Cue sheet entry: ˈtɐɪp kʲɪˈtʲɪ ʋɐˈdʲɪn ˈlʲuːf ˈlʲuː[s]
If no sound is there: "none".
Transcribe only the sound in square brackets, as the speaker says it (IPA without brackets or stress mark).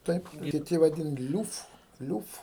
f